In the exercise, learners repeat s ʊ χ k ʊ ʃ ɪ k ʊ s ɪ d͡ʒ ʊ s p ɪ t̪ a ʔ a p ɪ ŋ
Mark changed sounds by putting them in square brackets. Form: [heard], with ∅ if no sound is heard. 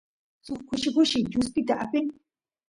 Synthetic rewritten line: s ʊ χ k ʊ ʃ ɪ k ʊ [ʃ] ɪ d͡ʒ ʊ s p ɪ t̪ a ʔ a p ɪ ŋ